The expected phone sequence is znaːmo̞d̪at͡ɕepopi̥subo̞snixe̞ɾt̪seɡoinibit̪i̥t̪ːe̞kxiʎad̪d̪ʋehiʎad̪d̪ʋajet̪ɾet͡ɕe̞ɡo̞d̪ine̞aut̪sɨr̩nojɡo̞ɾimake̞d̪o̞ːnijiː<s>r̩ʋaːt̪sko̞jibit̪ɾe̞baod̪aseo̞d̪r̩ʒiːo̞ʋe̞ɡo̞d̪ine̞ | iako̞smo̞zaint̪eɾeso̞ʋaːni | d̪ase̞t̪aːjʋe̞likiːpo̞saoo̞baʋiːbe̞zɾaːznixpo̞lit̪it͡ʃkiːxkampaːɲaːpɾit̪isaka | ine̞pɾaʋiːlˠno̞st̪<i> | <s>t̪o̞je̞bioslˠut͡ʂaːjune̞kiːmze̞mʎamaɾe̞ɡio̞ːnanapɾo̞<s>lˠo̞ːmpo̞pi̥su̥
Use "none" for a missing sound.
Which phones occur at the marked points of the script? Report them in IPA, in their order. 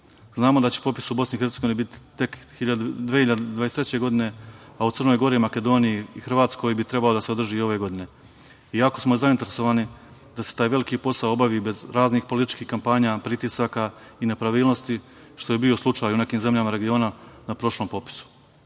x, i, ʃ, ʃ

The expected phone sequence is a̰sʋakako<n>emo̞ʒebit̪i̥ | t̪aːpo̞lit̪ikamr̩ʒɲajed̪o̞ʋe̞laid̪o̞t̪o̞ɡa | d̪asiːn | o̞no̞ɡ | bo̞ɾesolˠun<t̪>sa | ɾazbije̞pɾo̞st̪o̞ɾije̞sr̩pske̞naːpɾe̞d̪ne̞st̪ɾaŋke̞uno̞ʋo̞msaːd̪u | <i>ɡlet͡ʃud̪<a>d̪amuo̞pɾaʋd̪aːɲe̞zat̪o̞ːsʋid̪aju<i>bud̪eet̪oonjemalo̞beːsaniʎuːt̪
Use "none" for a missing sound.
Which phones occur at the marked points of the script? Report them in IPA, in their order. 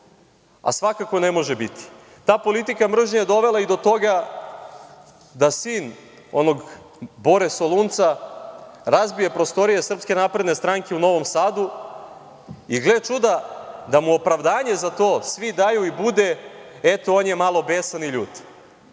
n, t̪, i, a, i

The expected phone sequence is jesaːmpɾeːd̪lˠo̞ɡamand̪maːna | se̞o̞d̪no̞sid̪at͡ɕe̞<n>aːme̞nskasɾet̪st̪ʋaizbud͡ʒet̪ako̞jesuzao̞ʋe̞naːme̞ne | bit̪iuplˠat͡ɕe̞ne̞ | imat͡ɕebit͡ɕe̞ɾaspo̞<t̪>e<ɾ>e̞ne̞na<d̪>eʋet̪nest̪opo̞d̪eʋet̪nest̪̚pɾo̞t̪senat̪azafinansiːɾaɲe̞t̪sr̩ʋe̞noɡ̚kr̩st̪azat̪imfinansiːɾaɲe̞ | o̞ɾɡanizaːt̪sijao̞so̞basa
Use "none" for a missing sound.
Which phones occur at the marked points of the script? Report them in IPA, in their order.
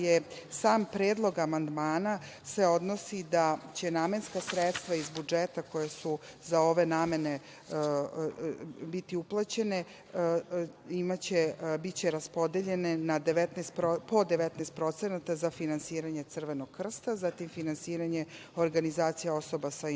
n, d̪, ʎ, d̪

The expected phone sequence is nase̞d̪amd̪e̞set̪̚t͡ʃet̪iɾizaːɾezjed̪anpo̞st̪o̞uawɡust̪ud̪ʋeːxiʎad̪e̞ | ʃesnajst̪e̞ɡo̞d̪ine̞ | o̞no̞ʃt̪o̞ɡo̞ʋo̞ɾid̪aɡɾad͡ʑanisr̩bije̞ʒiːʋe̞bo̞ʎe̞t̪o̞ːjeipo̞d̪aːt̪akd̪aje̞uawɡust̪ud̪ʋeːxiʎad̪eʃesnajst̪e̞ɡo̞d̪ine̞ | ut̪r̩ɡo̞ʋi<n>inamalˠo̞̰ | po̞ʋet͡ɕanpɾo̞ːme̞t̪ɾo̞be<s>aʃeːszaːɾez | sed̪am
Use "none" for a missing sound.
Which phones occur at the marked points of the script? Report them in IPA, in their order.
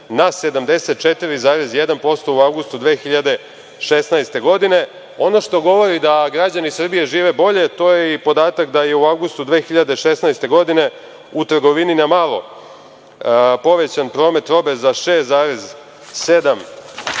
n, z

